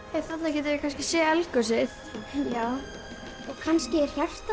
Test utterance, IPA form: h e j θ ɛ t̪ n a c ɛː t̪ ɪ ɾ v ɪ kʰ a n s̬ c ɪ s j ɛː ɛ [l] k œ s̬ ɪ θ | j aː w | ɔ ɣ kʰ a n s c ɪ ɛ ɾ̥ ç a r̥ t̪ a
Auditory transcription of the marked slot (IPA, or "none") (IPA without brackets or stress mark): l